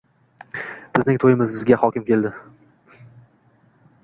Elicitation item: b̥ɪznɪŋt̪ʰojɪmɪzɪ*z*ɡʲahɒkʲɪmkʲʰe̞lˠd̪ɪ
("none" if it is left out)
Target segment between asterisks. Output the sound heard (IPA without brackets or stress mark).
z